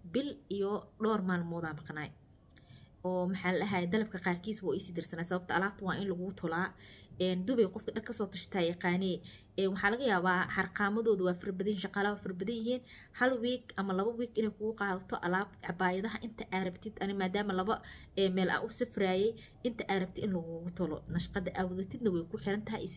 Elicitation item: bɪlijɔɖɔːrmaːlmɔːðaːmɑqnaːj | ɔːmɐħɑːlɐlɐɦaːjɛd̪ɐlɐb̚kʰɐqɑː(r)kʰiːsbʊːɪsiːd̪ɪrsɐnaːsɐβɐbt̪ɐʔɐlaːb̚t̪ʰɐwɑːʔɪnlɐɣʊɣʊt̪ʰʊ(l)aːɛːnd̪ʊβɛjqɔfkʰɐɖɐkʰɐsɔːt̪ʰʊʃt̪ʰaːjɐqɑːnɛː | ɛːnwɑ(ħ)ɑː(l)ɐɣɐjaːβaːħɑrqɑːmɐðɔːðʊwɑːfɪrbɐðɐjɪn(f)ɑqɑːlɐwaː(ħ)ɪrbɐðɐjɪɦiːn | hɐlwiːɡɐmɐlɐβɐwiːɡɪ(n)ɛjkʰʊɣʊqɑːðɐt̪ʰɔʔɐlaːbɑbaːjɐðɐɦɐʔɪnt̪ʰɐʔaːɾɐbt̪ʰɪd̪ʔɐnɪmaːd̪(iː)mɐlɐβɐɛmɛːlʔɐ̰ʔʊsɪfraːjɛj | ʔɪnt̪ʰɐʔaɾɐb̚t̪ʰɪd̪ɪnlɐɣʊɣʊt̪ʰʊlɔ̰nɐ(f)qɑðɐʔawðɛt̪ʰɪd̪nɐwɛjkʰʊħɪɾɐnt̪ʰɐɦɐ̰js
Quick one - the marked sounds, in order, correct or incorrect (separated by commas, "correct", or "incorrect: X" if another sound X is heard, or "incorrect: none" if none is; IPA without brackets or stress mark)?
correct, correct, correct, correct, incorrect: ʃ, incorrect: f, correct, incorrect: aː, incorrect: ʃ